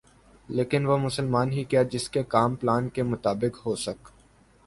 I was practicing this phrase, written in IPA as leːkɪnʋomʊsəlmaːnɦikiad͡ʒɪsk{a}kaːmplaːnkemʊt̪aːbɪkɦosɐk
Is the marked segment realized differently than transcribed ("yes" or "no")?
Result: yes